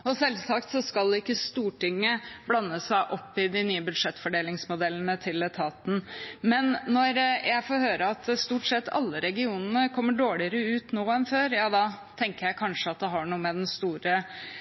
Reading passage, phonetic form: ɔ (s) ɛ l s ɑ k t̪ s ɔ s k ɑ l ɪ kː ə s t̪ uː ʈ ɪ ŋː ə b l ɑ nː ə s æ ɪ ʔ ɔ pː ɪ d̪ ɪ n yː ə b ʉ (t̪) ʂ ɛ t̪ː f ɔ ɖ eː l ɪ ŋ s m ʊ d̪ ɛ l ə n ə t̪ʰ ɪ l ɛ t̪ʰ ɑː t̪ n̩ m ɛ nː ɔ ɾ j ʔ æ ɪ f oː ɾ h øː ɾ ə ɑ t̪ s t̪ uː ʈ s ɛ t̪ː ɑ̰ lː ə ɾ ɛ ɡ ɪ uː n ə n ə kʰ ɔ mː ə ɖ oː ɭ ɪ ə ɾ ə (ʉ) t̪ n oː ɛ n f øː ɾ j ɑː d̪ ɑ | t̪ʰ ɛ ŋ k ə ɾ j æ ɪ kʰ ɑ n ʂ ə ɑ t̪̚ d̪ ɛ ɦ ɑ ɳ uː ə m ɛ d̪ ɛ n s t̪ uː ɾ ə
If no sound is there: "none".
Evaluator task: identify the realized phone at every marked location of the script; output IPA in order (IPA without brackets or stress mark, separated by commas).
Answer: s, d̪, ʉː